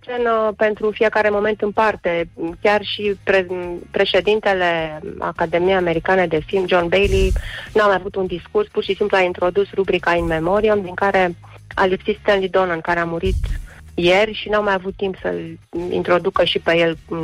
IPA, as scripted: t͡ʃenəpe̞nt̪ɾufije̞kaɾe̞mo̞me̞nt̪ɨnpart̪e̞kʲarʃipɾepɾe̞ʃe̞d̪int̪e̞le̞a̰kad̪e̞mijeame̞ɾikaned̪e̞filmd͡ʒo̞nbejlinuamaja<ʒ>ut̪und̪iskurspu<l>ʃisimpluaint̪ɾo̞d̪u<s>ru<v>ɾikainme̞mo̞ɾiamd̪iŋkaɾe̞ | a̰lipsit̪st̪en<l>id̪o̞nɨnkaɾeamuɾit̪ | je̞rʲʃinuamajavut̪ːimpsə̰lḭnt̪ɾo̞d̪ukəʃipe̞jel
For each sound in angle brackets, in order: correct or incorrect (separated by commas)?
incorrect, incorrect, correct, incorrect, correct